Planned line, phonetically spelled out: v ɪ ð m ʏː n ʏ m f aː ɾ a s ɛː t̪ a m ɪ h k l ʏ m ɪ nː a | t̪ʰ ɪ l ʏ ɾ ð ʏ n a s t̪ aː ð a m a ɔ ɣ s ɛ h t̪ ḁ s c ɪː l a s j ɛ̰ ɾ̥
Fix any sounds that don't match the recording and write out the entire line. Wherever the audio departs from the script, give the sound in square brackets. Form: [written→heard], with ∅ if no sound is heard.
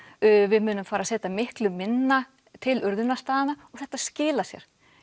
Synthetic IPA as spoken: v ɪ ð m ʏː n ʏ m f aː ɾ a s ɛː t̪ a m ɪ h k l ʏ m ɪ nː a | t̪ʰ ɪ l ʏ ɾ ð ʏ n a s t̪ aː ð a [m→n] a ɔ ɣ [s→θ] ɛ h t̪ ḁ s c ɪː l a s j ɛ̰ ɾ̥